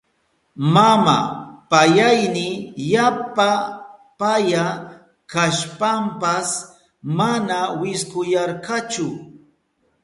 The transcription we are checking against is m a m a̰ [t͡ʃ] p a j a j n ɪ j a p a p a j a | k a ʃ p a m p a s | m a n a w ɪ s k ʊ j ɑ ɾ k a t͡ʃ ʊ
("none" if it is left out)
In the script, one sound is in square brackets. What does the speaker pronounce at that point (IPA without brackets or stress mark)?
none